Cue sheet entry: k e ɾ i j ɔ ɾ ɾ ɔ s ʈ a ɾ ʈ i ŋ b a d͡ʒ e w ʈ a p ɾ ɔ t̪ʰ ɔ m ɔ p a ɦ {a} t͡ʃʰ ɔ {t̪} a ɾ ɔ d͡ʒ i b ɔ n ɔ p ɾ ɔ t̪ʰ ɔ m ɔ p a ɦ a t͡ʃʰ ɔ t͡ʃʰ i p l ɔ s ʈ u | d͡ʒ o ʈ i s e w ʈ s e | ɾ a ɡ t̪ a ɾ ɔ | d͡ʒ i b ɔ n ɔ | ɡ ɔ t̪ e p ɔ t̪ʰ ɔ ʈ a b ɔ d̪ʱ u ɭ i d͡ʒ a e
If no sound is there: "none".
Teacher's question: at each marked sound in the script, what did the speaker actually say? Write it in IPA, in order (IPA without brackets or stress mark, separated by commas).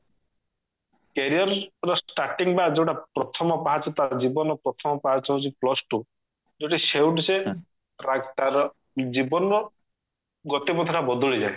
a, t̪